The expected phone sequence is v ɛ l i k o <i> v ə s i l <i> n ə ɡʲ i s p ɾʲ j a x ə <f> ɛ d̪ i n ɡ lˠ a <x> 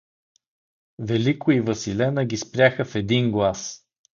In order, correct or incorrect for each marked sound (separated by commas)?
correct, incorrect, correct, incorrect